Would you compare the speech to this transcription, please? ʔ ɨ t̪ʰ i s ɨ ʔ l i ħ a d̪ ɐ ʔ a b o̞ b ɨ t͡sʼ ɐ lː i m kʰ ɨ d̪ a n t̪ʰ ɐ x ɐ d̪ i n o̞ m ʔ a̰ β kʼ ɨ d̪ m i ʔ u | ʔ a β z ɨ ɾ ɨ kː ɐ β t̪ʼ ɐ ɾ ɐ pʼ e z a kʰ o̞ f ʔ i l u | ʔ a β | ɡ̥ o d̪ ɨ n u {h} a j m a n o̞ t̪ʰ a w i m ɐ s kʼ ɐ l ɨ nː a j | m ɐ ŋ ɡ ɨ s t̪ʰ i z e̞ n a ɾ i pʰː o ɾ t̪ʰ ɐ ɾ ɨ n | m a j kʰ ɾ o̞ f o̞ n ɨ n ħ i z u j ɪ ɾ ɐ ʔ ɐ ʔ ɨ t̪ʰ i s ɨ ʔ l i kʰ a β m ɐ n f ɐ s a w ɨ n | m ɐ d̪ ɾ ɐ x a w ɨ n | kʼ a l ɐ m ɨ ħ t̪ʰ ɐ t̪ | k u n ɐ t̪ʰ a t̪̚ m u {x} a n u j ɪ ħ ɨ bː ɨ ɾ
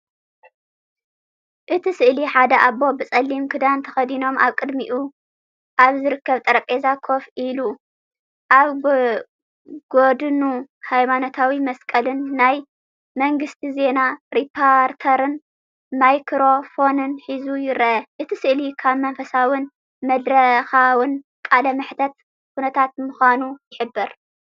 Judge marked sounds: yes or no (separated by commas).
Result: yes, yes